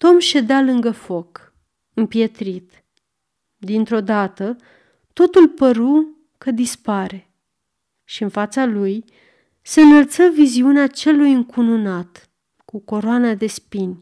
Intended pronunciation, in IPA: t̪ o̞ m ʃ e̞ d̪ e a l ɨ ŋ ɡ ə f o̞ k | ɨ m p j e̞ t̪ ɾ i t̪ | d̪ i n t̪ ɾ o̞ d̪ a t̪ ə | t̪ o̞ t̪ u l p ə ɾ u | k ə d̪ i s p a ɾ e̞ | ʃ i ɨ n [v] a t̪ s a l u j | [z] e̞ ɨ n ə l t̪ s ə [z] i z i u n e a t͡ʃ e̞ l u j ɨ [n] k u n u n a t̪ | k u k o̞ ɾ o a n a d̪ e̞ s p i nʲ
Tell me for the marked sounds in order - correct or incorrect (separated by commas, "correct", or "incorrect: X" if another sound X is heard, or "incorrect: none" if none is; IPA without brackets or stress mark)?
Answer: incorrect: f, incorrect: s, incorrect: v, incorrect: ŋ